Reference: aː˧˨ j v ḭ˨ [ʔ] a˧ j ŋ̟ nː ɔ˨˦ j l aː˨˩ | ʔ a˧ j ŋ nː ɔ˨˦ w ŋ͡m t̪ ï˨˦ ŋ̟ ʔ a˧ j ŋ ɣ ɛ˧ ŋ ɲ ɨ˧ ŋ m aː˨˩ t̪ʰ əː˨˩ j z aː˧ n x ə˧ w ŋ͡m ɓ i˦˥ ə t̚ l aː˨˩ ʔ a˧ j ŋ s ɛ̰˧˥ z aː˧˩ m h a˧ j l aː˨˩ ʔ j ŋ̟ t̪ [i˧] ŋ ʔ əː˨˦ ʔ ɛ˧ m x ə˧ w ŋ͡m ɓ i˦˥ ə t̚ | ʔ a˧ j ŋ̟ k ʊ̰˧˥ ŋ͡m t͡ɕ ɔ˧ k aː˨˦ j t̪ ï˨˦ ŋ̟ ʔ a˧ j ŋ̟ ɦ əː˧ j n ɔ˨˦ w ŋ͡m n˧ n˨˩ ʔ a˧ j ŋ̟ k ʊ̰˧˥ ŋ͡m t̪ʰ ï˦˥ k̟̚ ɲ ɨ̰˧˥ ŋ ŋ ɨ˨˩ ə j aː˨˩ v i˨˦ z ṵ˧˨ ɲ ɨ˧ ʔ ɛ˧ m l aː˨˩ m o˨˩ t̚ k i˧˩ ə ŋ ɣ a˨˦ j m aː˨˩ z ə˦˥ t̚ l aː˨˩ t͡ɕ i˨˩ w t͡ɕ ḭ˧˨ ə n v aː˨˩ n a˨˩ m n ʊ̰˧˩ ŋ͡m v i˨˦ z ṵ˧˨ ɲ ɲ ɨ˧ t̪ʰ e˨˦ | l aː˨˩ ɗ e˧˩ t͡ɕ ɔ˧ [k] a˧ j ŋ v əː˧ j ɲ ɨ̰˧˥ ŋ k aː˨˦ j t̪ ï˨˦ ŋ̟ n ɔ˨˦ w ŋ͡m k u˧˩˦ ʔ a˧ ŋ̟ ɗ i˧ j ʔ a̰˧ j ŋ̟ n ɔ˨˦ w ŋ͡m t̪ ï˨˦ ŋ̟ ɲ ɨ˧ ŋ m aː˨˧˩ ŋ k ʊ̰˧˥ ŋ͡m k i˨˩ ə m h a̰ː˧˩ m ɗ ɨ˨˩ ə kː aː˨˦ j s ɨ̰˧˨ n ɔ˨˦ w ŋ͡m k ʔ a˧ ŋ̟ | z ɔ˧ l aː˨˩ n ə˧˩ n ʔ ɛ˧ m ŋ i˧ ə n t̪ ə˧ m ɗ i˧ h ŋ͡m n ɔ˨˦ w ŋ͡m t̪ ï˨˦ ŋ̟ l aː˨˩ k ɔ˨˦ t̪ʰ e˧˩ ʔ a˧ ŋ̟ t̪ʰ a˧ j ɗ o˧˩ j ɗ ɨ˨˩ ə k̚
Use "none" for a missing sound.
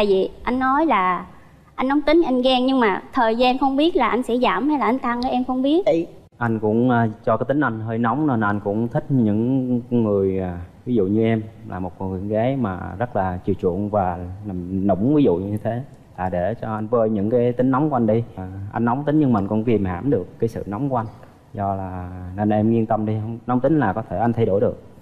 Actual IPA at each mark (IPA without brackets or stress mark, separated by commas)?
ʔ, a˧, ʔ